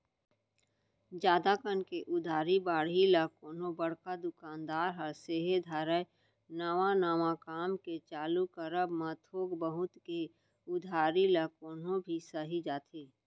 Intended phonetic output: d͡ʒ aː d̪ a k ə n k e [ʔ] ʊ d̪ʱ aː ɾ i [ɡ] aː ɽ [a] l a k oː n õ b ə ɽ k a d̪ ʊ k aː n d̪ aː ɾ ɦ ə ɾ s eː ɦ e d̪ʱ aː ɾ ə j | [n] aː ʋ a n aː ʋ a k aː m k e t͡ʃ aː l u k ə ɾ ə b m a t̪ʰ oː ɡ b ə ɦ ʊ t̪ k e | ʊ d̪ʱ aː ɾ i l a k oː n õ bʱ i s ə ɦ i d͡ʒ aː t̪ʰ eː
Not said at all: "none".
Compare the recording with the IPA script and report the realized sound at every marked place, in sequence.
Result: ʔ, b, i, n

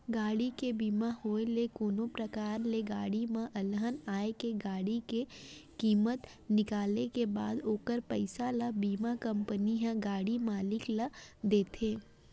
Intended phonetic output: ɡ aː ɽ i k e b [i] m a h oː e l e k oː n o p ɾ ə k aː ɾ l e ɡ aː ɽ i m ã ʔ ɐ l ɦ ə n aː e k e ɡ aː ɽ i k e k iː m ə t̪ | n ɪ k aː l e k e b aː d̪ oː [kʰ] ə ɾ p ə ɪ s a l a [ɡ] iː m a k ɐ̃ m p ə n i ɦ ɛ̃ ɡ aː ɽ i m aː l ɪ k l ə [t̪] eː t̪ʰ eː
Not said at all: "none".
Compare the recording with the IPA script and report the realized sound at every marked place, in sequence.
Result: iː, k, b, d̪

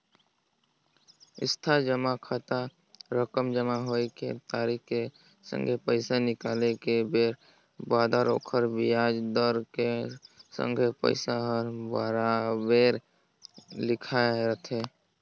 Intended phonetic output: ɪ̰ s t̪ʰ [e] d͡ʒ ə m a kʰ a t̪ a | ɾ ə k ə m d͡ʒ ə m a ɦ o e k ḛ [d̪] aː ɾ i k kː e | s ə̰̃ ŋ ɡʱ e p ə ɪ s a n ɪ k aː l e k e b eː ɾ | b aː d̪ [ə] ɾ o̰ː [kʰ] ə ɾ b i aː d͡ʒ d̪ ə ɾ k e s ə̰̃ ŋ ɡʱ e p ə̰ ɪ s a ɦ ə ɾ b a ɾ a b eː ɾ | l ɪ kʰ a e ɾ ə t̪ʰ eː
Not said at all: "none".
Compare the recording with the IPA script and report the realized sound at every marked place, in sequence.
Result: a, t̪, a, kʰ

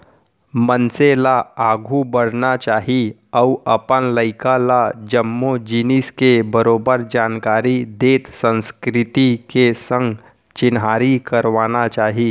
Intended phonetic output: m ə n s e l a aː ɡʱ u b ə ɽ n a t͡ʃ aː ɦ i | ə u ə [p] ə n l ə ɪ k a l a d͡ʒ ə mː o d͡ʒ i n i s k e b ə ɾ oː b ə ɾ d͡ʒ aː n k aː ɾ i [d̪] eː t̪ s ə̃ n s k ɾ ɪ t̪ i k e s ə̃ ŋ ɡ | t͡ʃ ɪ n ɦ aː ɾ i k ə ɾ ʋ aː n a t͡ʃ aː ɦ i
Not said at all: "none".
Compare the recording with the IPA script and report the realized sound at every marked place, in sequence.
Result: p, d̪

